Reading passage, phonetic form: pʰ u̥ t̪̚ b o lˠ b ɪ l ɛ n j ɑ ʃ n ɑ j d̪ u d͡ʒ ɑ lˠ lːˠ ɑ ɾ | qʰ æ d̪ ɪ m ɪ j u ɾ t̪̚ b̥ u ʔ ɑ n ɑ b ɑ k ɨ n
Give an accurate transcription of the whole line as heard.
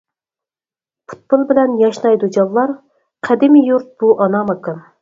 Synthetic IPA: pʰ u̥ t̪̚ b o lˠ b ɪ l ɛ n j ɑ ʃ n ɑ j d̪ u d͡ʒ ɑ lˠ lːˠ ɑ ɾ | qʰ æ d̪ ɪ m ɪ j u ɾ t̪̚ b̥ u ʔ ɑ n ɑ m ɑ k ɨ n